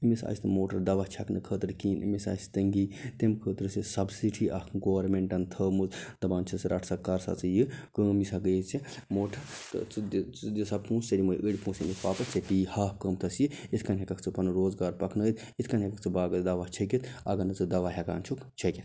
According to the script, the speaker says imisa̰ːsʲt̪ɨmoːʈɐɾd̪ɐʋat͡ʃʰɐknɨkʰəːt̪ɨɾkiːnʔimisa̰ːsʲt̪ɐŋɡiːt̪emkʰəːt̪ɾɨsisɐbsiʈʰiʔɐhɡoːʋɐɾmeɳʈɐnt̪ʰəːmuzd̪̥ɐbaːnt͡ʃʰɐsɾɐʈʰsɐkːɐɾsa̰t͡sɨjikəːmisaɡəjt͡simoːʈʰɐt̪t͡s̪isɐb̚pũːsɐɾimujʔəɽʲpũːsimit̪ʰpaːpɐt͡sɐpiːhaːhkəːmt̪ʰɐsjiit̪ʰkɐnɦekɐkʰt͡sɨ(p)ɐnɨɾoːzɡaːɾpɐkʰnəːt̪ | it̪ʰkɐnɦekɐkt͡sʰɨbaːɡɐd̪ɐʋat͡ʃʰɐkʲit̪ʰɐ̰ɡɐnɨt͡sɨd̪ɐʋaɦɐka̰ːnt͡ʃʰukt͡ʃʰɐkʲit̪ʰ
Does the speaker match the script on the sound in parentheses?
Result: yes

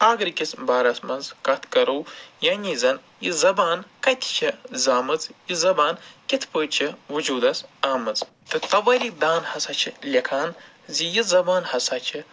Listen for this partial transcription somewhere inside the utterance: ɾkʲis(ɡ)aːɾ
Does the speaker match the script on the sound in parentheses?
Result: no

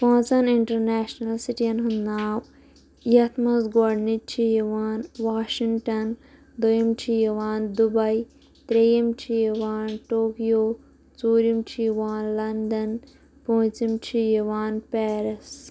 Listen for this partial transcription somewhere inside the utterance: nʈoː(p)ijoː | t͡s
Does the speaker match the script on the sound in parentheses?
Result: no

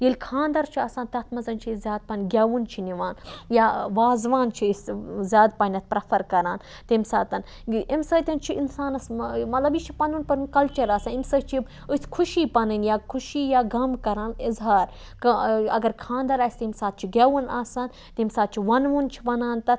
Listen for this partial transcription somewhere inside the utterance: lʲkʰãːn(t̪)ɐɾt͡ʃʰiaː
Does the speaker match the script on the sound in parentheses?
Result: no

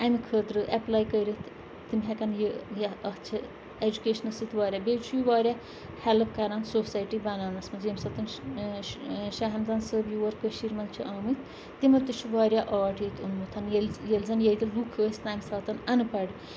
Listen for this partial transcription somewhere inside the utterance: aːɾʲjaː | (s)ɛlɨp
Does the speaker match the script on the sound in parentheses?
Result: no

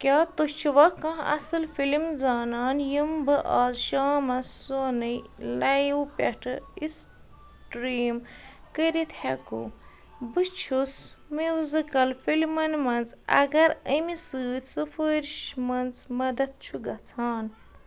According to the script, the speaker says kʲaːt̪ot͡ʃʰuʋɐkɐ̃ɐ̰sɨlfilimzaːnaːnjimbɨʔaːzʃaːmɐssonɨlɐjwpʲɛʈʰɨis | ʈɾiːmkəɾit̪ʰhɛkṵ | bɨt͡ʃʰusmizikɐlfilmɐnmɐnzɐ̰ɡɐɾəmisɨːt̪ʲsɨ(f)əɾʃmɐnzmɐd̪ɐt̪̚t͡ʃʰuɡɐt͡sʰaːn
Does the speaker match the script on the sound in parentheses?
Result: yes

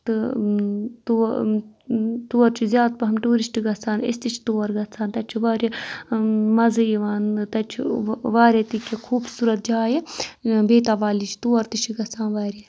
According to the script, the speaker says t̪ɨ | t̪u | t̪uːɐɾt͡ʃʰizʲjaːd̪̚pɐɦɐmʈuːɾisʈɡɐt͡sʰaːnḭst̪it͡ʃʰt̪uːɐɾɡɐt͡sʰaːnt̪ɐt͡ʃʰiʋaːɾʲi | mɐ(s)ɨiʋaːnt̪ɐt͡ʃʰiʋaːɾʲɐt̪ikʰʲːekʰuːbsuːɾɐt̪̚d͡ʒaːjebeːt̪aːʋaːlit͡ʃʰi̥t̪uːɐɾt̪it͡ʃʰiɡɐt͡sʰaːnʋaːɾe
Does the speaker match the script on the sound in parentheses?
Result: no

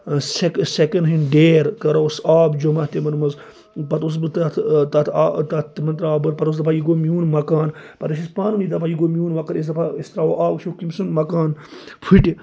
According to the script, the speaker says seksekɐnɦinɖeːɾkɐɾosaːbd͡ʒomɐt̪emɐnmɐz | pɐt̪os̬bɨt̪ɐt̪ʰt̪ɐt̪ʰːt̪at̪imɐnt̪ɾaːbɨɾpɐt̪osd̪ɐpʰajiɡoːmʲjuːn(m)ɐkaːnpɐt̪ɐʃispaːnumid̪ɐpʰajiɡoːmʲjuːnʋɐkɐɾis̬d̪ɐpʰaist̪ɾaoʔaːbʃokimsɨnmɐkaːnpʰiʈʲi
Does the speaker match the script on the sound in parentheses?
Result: yes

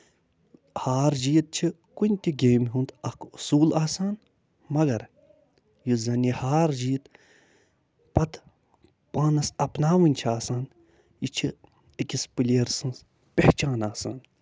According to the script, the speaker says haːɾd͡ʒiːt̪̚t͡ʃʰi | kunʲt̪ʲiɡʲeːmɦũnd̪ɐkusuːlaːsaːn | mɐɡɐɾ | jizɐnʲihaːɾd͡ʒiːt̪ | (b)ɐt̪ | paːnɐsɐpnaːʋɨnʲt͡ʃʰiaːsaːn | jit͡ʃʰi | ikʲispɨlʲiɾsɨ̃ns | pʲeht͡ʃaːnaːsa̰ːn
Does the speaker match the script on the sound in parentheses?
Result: no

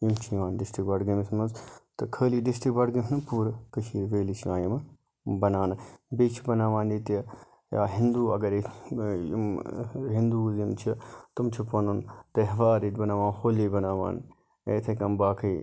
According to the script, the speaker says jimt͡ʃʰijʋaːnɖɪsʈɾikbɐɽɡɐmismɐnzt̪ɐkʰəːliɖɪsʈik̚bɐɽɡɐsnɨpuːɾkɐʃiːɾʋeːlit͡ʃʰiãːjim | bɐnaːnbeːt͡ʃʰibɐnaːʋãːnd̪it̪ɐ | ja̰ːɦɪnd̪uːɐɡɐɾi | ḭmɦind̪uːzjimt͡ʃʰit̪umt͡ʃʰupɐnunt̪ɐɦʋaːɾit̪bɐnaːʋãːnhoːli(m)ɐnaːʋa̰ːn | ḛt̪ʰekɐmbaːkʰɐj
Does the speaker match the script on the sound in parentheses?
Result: no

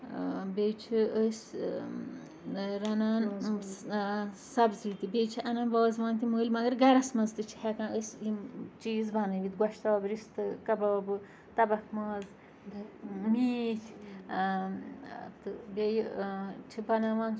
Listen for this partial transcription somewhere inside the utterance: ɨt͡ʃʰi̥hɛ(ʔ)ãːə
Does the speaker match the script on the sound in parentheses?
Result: no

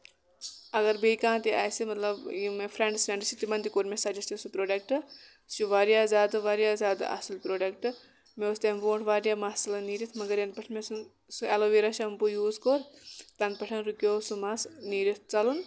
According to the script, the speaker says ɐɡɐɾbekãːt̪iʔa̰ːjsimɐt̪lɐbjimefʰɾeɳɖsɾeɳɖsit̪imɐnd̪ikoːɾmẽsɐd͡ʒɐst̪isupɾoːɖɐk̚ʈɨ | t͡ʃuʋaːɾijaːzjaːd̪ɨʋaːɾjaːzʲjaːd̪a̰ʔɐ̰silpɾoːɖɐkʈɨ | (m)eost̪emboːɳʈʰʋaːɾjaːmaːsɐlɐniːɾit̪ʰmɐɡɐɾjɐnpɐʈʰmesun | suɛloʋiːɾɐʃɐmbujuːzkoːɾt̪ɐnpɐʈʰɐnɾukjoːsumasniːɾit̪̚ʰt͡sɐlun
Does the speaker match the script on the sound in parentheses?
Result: yes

